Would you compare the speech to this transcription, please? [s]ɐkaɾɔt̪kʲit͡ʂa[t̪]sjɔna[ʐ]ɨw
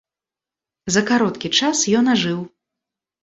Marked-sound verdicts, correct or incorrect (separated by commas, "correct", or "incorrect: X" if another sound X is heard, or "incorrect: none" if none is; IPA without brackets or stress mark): incorrect: z, incorrect: none, correct